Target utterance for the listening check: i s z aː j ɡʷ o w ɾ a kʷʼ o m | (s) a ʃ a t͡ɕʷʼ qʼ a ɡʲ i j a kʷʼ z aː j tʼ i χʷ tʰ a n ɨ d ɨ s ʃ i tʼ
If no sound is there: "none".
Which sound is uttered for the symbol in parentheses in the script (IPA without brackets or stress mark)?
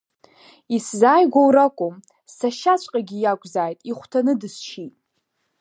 s